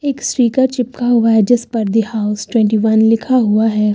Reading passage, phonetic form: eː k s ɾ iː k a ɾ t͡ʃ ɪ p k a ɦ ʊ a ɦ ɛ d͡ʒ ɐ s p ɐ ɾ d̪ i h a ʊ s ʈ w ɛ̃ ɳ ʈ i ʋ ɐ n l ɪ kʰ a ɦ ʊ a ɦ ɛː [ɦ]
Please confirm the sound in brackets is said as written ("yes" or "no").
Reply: no